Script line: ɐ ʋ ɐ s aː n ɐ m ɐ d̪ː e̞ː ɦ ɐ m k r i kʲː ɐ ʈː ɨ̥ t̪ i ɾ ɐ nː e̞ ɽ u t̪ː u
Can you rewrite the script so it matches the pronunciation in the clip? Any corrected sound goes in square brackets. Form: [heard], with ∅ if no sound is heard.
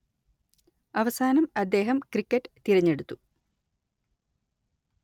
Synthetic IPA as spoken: ɐ ʋ ɐ s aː n ɐ m ɐ d̪ː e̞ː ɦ ɐ m k r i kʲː ɐ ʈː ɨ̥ t̪ i ɾ ɐ [ɲː] e̞ ɽ u t̪ː u